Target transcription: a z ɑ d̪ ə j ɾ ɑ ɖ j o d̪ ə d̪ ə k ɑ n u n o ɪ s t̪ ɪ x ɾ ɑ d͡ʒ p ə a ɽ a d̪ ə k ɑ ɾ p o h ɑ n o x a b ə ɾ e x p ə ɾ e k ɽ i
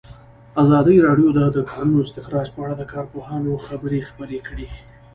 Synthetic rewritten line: a z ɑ d̪ ə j ɾ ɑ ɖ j o d̪ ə d̪ ə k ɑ n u n o ɪ s t̪ ɪ x ɾ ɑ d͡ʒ p ə a ɽ a d̪ ə k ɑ ɾ p o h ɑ n o x a b ə ɾ e x p ə ɾ e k ɽ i

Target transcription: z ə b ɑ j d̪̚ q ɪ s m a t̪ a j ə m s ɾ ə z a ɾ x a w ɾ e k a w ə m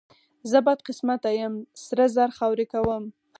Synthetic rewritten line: z ə b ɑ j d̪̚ q ɪ s m a t̪ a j ə m s ɾ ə z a ɾ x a w ɾ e k a w ə m

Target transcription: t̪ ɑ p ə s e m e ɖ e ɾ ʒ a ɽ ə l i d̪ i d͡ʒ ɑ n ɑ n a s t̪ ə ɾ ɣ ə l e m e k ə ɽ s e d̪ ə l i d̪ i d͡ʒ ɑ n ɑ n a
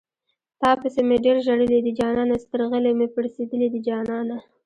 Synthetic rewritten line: t̪ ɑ p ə s e m e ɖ e ɾ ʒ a ɽ ə l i d̪ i d͡ʒ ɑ n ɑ n a s t̪ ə ɾ ɣ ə l e m e p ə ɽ s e d̪ ə l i d̪ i d͡ʒ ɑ n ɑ n a

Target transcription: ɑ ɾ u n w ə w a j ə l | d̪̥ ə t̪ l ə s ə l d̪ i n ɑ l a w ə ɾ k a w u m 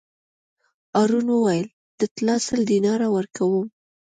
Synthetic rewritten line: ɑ ɾ u n w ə w a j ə l | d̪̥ ə t̪ l ɑ s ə l d̪ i n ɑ ɾ a w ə ɾ k a w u m

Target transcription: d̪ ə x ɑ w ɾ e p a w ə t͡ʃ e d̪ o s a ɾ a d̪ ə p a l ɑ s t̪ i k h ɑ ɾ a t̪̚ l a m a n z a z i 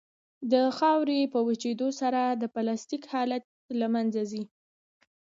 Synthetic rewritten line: d̪ ə x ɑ w ɾ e p ə w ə t͡ʃ e d̪ o s a ɾ a d̪ ə p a l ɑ s t̪ i k h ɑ l a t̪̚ l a m a n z a z i

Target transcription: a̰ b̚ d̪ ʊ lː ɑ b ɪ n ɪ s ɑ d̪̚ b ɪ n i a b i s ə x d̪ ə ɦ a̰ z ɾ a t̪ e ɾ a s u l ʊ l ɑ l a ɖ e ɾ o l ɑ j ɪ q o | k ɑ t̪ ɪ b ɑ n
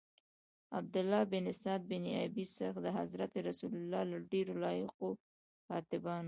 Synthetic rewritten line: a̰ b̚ d̪ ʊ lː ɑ b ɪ n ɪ s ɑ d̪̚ b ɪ n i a b i s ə x d̪ ə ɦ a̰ z ɾ a t̪ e ɾ a s u l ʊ l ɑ l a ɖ e ɾ o l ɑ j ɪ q o | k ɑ t̪ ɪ b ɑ n

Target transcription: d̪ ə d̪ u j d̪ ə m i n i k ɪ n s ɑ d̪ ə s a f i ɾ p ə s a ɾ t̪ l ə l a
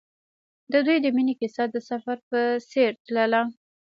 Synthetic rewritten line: d̪ ə d̪ u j d̪ ə m i n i k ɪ s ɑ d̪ ə s a f a ɾ p ə s e ɾ t̪ l ə l a

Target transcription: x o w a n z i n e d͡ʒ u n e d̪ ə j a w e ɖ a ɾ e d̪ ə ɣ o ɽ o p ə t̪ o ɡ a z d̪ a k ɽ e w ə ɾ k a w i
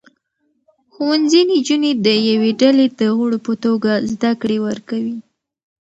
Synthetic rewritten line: x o w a n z i n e d͡ʒ u n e d̪ ə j a w e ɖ a l e d̪ ə ɣ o ɽ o p ə t̪ o ɡ a z d̪ a k ɽ e w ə ɾ k a w i

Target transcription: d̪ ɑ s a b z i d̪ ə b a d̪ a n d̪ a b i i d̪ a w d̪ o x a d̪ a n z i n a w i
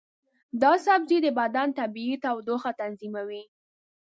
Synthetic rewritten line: d̪ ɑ s a b z i d̪ ə b a d̪ a n t̪ a b i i t̪ a w d̪ o x a t̪ a n z i m a w i

